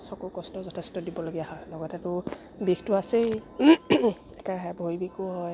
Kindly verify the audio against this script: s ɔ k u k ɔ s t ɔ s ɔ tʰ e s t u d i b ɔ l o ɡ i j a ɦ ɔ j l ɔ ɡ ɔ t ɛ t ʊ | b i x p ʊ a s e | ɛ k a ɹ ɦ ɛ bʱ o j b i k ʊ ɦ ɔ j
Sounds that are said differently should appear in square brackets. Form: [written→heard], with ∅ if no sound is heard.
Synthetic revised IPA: s ɔ k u k ɔ s t ɔ [s→z] ɔ tʰ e s t [u→ɔ] d i b ɔ l o ɡ i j a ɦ ɔ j l ɔ ɡ ɔ t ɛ t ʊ | b i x [p→t] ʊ a s e | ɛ k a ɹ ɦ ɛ bʱ o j b i k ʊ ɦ ɔ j